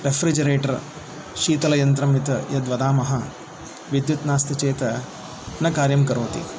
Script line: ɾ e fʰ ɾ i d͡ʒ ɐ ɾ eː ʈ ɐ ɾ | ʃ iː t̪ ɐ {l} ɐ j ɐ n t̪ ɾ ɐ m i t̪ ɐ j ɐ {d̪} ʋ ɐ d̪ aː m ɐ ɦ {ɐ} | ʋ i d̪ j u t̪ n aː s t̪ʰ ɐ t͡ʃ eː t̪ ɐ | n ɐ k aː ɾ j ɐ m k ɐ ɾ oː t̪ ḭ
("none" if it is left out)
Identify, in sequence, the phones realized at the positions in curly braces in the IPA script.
l, d̪, ɐ

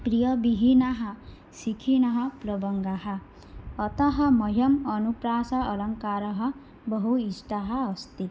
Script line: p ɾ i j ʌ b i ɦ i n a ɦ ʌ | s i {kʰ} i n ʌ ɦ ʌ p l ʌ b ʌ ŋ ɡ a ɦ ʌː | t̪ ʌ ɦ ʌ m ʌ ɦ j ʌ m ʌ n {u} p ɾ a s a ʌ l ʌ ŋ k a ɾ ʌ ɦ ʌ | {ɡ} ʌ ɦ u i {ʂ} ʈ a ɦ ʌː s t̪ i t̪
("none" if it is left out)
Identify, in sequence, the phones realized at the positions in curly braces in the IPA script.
kʰ, u, b, s

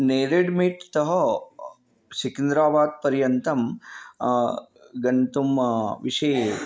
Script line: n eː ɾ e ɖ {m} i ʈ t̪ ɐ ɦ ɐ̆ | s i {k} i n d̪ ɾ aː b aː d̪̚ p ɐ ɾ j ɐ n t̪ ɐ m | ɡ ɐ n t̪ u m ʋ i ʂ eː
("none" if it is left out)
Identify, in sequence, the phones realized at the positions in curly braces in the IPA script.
m, k

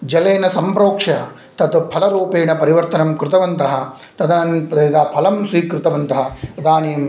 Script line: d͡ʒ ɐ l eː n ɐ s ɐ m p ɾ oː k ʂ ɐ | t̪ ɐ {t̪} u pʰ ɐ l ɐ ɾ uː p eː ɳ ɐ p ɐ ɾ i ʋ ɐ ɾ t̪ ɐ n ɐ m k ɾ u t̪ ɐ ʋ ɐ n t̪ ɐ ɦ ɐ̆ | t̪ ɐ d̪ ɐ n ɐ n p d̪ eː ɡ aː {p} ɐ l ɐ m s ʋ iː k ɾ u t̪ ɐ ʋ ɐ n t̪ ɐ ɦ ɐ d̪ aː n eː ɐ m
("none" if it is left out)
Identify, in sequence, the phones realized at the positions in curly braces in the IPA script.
t̪, pʰ

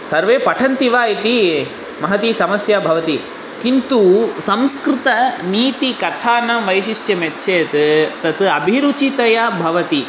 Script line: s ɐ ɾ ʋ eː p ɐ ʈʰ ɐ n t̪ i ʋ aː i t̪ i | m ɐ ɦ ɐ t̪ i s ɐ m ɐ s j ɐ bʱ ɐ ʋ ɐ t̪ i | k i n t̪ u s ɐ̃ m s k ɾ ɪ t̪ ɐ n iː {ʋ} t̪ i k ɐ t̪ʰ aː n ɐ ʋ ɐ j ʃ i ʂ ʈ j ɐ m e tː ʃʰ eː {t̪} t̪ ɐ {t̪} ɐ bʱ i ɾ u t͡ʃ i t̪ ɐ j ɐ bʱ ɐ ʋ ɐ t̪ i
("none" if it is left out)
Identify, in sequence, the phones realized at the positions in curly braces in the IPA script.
none, t̪, t̪

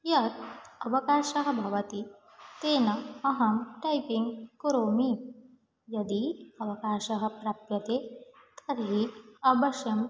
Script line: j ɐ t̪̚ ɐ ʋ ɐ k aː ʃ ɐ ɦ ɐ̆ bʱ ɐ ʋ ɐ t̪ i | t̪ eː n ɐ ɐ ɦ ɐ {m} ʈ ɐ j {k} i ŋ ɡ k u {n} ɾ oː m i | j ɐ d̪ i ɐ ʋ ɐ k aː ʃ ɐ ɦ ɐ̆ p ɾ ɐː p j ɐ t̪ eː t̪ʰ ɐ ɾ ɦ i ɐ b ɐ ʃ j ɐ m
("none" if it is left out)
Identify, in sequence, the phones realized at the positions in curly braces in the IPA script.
m, p, none

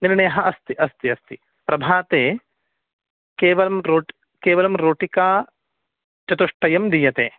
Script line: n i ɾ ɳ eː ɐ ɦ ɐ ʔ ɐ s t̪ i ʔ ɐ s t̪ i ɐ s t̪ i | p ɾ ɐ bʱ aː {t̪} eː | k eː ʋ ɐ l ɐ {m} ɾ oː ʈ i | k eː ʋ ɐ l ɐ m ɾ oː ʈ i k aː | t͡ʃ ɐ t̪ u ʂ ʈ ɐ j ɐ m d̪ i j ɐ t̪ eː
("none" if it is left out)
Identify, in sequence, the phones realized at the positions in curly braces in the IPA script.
t̪, m

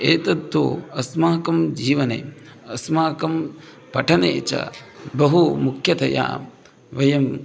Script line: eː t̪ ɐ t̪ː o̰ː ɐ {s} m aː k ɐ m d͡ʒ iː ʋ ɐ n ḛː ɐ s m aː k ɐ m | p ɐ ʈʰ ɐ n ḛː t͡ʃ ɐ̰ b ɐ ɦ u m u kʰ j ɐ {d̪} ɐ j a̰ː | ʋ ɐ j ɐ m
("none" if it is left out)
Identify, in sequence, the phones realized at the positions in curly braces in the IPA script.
s, t̪

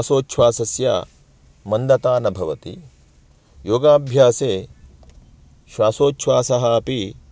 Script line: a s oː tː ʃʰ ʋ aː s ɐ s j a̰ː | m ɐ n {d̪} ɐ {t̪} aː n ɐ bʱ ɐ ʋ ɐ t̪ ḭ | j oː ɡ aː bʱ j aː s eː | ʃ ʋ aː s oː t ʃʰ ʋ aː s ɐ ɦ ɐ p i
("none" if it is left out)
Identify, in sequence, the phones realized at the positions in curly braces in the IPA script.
d̪, t̪

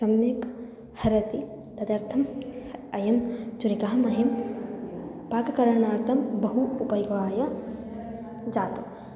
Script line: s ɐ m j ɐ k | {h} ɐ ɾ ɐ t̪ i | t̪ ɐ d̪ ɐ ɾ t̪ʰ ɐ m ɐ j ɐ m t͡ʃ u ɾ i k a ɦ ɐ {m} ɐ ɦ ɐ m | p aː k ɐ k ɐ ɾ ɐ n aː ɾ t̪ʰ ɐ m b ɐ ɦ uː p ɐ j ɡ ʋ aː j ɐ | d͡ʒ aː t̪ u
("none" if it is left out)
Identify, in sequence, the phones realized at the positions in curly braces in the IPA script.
h, m

